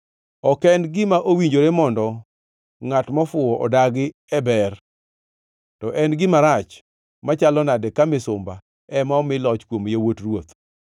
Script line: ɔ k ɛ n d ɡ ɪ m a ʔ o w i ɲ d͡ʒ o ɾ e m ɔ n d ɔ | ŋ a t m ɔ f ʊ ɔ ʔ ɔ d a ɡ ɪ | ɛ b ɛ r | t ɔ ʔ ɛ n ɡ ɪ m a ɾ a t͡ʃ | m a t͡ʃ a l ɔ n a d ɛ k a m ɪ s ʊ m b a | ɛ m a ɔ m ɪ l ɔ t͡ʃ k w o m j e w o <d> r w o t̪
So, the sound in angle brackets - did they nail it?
no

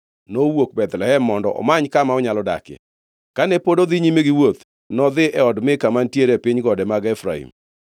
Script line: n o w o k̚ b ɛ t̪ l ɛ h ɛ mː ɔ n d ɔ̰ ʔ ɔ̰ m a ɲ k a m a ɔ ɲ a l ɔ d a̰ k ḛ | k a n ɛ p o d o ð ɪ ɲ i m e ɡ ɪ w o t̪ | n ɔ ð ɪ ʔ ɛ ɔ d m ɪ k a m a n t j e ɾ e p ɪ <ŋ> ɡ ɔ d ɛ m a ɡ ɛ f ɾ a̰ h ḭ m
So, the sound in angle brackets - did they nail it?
no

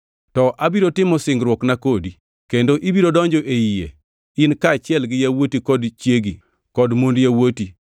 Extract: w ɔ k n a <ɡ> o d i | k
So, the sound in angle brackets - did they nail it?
no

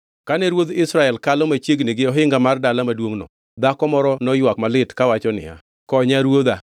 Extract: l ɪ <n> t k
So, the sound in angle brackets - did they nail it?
no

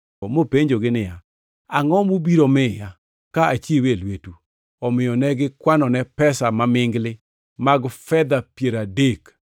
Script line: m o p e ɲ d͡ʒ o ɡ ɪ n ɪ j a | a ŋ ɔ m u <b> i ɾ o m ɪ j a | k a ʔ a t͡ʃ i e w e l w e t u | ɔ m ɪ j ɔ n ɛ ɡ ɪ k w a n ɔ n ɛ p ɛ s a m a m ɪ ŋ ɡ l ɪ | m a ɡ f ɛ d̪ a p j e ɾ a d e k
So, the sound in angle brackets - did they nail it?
yes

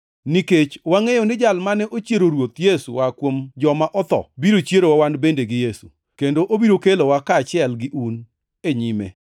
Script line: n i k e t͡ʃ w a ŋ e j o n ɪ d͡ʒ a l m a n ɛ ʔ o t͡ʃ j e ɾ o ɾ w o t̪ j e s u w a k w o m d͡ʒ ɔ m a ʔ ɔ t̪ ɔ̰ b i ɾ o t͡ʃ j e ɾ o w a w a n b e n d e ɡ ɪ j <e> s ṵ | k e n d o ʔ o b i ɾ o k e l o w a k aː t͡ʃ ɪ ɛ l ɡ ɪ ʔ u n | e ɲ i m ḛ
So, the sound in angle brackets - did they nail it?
yes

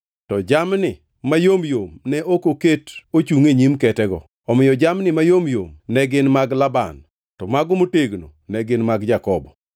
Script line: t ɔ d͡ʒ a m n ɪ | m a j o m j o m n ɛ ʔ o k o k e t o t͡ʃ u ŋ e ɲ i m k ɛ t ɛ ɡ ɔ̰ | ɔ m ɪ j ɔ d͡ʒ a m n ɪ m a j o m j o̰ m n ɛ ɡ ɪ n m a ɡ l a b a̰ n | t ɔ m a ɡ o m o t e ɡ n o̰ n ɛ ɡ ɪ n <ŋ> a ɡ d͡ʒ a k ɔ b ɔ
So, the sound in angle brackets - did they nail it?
no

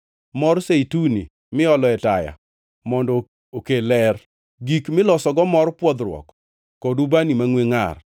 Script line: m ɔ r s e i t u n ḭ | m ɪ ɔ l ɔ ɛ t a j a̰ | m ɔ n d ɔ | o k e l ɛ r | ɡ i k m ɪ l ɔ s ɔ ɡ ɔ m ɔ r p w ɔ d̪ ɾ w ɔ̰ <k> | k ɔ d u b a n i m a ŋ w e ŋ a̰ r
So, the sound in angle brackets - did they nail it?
yes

